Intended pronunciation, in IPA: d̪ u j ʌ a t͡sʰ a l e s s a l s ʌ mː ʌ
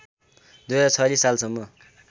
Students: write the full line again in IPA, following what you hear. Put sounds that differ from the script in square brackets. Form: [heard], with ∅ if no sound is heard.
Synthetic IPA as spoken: d̪ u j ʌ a t͡sʰ [ʌ] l [i] s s a l s ʌ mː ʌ